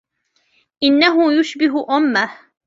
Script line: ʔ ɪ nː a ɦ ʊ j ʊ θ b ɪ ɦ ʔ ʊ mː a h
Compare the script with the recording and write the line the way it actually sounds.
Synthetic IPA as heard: ʔ ɪ nː a ɦ ʊ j ʊ ʃ b ɪ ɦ ʔ ʊ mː a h